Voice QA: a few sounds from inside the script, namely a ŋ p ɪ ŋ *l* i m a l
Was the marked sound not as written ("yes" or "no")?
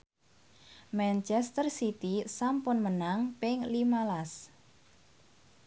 no